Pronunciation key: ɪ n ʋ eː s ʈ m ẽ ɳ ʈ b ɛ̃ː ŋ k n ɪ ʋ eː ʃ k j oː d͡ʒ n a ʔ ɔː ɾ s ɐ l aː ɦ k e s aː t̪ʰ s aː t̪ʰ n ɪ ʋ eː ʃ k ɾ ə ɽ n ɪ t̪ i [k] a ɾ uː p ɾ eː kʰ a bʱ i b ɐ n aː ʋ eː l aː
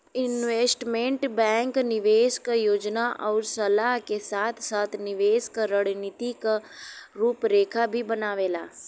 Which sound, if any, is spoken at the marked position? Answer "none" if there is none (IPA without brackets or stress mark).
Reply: k